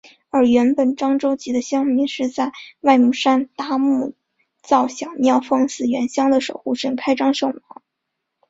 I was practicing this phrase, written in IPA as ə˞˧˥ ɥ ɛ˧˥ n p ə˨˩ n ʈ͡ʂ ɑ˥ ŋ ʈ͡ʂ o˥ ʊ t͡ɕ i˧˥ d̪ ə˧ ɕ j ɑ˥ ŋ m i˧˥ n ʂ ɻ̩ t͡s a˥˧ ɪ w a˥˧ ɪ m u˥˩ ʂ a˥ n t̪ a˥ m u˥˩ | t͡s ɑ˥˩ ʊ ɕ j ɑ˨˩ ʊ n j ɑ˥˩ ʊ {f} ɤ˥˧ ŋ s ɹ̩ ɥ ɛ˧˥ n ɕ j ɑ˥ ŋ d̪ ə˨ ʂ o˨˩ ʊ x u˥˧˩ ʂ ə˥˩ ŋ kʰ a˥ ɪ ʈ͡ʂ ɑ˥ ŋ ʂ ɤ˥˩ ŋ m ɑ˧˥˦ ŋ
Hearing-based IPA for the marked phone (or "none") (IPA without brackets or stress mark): f